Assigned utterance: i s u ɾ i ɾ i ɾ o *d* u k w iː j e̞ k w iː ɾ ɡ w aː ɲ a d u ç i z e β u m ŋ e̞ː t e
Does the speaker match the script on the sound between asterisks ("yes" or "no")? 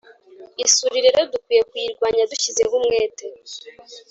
yes